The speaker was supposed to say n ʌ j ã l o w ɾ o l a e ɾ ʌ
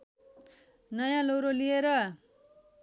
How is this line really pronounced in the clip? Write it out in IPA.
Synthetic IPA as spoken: n ʌ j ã l o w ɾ o l i e ɾ ʌ